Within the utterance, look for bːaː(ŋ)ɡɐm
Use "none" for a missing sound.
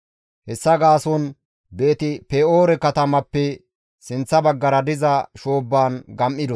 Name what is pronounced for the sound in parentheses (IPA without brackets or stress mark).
n